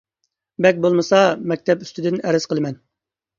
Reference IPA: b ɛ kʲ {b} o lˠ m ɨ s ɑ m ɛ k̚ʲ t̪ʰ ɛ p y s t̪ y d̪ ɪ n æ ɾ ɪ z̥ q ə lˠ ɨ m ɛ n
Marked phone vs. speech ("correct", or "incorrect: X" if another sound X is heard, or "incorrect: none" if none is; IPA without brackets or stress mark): correct